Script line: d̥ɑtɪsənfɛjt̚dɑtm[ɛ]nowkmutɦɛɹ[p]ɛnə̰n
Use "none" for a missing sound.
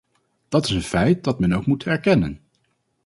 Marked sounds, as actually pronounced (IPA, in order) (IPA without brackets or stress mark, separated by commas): ɛ, k